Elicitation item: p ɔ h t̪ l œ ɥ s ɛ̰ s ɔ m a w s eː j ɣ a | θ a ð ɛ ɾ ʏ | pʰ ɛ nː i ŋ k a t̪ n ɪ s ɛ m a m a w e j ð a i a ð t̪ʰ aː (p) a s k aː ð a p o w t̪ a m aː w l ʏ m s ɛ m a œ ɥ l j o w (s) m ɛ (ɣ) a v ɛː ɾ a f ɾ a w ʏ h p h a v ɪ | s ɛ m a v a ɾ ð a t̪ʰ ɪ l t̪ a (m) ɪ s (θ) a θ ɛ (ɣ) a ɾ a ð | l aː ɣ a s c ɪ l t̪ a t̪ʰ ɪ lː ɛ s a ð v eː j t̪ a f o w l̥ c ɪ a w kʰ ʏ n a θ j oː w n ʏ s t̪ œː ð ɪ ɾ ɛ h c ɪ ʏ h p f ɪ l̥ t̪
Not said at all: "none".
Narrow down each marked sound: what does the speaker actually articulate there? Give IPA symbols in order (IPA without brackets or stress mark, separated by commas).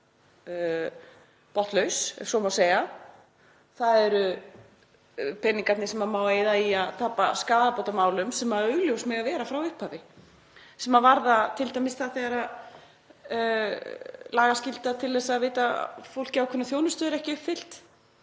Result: p, s, ɣ, m, θ, ɣ